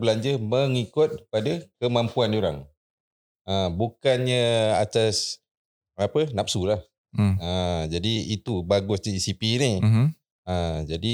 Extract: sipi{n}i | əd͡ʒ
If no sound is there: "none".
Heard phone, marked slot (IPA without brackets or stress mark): n